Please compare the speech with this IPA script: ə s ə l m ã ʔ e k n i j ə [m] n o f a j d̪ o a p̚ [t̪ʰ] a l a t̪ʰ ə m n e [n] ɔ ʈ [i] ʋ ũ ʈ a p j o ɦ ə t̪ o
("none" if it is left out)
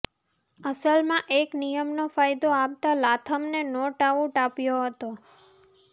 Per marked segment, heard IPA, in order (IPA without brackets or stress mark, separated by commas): m, t̪, n, a